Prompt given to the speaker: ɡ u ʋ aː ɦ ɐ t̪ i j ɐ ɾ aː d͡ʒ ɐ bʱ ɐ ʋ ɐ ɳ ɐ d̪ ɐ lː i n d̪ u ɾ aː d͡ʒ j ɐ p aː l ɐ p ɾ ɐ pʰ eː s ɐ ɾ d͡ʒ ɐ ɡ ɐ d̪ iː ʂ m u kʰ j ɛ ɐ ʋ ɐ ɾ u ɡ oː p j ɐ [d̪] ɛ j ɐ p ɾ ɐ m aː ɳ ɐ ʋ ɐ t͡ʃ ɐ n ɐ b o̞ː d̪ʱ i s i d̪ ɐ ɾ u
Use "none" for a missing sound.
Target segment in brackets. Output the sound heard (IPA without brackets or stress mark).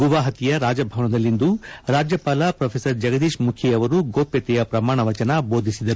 t̪